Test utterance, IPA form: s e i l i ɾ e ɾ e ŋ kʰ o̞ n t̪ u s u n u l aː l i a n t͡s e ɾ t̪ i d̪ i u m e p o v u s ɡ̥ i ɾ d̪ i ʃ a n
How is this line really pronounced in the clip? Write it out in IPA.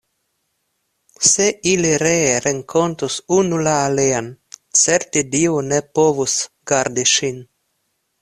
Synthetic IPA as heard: s e i l i ɾ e ɾ e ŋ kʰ o̞ n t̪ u s u n u l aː l e a n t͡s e ɾ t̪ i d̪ i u n e p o v u s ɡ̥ a ɾ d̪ i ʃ i n

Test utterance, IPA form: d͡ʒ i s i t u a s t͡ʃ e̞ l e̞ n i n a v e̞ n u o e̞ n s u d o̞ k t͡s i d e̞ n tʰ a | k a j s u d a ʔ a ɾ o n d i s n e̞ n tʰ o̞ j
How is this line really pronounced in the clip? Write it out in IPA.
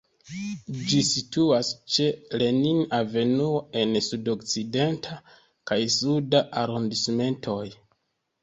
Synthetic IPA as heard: d͡ʒ i s i t u a s t͡ʃ e̞ l e̞ n i n a v e̞ n u o e̞ n s u d o̞ k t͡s i d e̞ n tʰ a | k a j s u d a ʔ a ɾ o n d i s m e̞ n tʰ o̞ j

